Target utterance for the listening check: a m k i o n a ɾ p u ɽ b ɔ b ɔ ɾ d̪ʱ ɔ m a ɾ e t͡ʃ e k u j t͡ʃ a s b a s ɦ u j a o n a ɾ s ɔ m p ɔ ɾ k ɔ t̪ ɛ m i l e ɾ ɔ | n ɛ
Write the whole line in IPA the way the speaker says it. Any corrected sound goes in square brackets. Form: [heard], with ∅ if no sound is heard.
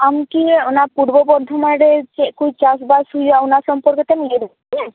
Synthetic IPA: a m k i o n a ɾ p u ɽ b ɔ b ɔ ɾ d̪ʱ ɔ m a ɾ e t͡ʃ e k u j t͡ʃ a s b a s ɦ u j a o n a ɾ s ɔ m p ɔ ɾ k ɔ t̪ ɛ m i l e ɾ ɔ | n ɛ